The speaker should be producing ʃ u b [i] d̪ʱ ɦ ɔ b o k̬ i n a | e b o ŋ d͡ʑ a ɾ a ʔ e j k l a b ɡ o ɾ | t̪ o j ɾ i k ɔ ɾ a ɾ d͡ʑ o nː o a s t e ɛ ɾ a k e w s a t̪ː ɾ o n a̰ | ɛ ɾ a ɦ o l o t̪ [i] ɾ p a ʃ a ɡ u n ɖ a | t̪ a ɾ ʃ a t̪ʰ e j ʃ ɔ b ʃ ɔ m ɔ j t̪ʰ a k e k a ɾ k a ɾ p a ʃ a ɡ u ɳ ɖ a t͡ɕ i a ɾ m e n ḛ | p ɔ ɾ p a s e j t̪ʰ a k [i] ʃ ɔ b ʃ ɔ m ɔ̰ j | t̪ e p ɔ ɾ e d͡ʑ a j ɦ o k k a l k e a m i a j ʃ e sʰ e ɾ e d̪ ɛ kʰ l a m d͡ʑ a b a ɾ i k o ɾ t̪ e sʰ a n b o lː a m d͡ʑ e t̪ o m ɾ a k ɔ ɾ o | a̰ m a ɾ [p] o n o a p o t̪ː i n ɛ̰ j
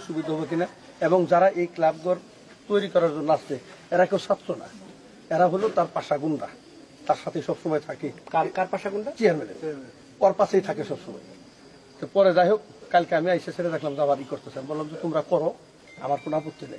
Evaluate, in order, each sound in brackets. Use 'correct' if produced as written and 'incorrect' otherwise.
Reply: correct, incorrect, incorrect, incorrect

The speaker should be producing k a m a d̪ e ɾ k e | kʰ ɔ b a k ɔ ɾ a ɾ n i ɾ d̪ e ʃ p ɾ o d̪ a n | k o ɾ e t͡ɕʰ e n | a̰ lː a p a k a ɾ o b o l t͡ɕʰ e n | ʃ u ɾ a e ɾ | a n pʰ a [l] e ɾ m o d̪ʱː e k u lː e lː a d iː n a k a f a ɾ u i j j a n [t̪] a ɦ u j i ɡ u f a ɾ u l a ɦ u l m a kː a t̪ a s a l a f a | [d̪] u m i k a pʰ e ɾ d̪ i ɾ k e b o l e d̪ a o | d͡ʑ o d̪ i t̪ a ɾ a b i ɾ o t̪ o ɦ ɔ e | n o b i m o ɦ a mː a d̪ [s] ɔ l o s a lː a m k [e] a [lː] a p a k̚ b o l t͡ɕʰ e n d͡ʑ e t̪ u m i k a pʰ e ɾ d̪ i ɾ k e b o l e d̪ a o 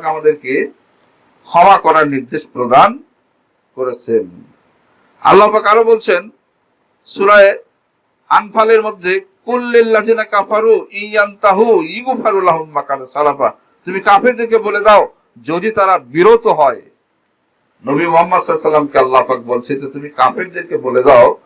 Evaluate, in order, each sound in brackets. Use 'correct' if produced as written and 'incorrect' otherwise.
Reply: correct, correct, incorrect, correct, correct, correct

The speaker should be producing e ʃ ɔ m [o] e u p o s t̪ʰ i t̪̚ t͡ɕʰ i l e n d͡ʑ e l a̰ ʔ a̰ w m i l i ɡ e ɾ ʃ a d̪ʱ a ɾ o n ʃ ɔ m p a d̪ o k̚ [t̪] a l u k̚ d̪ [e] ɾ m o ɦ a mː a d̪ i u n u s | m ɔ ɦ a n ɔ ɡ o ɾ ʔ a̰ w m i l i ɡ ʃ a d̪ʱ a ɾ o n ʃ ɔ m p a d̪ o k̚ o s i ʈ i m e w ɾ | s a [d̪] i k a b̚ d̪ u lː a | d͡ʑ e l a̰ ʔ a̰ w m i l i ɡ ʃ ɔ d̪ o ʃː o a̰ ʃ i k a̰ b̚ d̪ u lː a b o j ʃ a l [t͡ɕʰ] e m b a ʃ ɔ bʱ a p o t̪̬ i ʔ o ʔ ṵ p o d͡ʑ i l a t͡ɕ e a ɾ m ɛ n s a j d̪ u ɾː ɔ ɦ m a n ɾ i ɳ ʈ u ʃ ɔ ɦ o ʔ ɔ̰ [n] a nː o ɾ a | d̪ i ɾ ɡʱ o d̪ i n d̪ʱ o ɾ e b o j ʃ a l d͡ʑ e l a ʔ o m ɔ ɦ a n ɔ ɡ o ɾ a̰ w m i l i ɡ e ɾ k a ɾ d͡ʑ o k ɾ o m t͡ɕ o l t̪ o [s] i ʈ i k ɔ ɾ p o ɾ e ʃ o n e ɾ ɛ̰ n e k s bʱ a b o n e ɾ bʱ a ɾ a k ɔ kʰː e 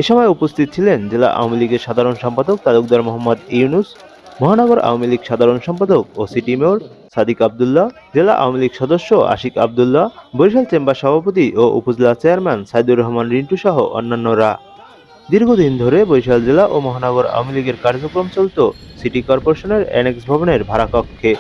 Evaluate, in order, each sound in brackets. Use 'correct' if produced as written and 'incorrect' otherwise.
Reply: incorrect, correct, incorrect, correct, incorrect, incorrect, correct

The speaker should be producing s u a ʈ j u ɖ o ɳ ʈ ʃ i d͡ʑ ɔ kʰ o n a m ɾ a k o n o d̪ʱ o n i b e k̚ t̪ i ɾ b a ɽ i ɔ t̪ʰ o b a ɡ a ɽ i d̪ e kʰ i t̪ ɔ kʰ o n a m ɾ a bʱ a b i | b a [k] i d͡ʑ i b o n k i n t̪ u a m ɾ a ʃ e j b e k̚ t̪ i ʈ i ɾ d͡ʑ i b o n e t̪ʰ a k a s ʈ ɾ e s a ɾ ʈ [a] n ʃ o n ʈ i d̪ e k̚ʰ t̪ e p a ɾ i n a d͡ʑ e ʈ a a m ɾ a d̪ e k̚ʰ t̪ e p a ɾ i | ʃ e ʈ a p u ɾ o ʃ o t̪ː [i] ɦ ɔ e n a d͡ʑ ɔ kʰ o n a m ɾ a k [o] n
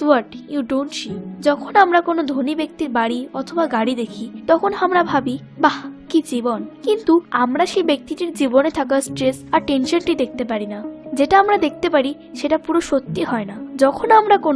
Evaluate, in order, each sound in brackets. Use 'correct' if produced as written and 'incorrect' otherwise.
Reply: correct, incorrect, correct, correct

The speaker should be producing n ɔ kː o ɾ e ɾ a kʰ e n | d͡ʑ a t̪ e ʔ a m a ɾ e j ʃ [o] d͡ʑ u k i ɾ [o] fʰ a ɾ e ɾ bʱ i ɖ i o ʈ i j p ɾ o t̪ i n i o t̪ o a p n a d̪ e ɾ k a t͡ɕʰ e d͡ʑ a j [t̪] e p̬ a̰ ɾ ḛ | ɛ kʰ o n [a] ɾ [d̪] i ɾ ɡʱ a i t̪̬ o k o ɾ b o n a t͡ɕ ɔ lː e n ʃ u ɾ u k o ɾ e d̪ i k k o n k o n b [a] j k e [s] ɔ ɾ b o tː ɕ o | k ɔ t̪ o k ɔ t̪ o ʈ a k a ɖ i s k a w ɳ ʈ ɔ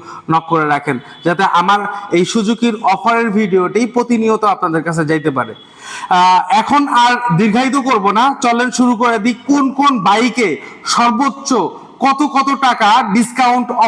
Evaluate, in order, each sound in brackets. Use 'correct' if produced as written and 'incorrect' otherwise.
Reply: incorrect, incorrect, correct, correct, correct, correct, incorrect

